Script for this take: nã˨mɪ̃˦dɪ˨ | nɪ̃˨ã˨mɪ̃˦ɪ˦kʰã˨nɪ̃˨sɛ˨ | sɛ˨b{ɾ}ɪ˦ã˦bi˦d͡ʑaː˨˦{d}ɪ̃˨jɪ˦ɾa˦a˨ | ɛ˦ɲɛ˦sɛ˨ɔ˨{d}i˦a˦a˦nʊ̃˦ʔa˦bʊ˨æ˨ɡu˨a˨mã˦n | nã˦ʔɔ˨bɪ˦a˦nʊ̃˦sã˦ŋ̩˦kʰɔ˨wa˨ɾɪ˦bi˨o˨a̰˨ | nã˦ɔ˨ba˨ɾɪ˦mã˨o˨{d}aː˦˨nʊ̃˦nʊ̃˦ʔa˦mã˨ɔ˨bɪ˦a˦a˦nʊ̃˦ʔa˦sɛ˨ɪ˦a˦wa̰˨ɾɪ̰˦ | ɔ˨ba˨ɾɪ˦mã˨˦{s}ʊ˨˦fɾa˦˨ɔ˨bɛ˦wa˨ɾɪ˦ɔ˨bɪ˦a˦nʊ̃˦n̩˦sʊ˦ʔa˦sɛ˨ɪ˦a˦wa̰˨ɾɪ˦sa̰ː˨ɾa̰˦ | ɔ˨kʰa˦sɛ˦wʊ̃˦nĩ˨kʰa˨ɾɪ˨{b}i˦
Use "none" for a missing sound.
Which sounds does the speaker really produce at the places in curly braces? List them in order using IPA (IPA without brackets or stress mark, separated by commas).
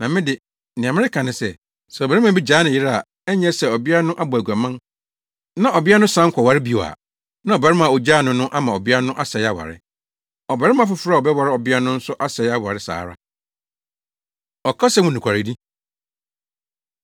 ɾ, n, b, d͡ʑ, f, d